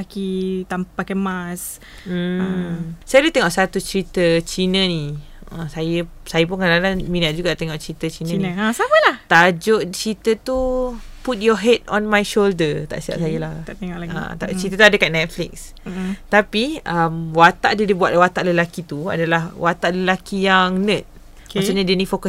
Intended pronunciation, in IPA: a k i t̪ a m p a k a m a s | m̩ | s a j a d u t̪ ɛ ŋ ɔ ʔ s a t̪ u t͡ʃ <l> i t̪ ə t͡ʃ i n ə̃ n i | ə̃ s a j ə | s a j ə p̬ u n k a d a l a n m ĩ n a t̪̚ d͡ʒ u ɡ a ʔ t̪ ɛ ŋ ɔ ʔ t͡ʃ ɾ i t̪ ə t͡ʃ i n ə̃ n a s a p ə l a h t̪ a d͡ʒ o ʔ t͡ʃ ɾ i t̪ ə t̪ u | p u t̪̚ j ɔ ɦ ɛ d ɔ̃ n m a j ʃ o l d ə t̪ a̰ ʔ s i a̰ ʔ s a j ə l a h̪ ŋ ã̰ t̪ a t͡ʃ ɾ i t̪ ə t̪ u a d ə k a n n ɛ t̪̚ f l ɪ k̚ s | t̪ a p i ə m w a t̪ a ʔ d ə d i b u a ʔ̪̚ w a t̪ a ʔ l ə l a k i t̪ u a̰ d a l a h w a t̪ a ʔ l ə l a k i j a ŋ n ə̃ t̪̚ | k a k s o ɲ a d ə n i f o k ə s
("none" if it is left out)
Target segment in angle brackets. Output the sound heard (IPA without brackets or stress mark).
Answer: ɾ